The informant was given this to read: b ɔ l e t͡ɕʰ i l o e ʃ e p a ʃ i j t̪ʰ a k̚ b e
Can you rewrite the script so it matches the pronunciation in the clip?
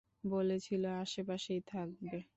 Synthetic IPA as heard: b o l e t͡ɕʰ i l o a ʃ e p a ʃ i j t̪ʰ a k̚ b e